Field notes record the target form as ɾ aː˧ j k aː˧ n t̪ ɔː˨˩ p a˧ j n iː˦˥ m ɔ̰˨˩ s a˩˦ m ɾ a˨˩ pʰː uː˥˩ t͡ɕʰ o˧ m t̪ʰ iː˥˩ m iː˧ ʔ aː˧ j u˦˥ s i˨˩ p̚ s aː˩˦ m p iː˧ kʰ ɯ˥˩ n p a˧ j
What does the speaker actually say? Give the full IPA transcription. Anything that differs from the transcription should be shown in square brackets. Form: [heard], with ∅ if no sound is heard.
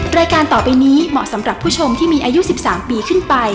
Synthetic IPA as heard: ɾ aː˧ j k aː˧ n t̪ ɔː˨˩ p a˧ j n iː˦˥ m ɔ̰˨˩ s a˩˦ m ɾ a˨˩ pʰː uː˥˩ t͡ɕʰ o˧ m t̪ʰ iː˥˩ m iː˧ ʔ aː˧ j u˦˥ s i˨˩ p̚ s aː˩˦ m p iː˧ kʰ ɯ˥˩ n p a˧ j